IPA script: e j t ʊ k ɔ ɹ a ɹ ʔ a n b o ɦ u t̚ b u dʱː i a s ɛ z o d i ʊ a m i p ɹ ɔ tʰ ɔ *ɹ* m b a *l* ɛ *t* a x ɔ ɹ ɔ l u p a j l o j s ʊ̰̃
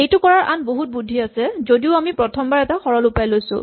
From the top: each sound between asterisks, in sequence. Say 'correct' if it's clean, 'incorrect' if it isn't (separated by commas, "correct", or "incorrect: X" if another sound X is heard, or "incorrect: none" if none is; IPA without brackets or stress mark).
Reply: incorrect: none, incorrect: ɹ, correct